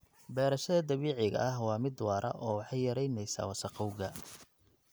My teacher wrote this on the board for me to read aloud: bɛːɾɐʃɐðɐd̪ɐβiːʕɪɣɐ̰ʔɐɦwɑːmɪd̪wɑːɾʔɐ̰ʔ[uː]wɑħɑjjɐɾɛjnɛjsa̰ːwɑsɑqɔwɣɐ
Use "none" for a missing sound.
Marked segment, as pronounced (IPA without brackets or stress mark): ɔː